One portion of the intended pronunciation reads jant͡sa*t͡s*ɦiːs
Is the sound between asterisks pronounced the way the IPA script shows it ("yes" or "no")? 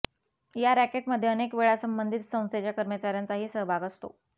no